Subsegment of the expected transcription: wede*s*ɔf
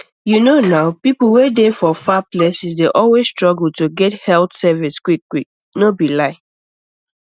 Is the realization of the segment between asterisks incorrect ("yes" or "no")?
yes